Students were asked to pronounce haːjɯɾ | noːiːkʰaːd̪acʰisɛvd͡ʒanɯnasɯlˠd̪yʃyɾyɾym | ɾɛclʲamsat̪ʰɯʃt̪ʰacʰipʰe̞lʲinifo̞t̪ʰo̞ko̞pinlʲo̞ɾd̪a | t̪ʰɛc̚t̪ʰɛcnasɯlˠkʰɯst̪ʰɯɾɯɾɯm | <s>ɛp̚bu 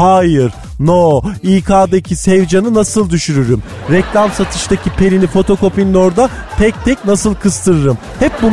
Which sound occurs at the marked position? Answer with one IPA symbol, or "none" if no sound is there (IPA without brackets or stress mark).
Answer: h